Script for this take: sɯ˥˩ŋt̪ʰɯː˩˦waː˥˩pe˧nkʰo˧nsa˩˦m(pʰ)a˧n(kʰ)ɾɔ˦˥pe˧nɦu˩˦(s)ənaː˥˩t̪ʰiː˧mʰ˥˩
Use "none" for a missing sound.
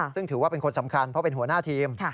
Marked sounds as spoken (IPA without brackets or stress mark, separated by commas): kʰ, pʰ, none